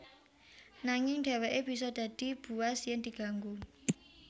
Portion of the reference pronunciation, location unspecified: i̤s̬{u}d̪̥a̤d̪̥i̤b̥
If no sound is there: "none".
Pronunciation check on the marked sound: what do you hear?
ɔ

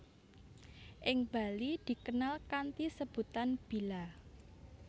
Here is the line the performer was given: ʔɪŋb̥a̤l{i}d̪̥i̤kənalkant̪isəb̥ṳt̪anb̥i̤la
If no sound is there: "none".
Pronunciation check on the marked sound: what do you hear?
i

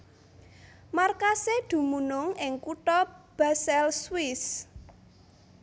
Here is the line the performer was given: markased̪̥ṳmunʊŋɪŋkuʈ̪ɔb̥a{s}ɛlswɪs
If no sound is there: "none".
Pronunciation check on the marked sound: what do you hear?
s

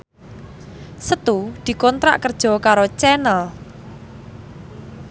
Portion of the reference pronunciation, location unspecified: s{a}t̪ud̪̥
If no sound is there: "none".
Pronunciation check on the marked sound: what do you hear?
ə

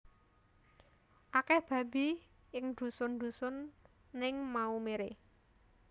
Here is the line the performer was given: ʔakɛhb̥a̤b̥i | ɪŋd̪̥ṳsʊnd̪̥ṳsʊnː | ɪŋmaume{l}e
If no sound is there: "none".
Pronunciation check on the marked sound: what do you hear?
ɾ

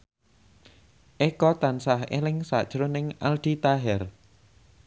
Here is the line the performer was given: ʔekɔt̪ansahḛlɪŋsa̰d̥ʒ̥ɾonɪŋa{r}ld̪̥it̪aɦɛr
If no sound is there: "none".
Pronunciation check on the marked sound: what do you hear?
none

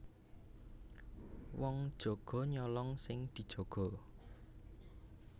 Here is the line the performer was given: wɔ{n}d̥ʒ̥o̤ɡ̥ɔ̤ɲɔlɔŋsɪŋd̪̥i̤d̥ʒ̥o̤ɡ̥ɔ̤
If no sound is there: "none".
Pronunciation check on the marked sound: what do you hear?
ŋ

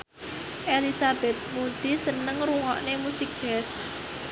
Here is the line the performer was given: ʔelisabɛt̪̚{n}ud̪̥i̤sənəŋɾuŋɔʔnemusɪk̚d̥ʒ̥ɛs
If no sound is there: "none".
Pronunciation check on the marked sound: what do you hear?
m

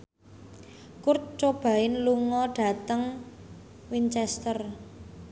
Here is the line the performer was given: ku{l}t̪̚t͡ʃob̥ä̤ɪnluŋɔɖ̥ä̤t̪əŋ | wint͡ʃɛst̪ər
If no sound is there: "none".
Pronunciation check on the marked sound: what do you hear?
r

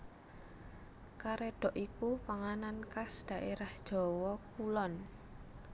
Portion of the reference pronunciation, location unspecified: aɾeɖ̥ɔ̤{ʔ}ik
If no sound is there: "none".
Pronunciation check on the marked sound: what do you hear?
ʔ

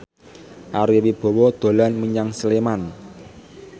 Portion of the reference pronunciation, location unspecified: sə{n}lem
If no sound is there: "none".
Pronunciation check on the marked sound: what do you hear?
none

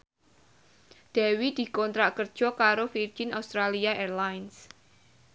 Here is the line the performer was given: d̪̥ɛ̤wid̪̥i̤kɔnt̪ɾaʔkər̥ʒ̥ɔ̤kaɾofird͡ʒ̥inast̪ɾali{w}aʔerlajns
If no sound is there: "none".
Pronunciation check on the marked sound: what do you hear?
none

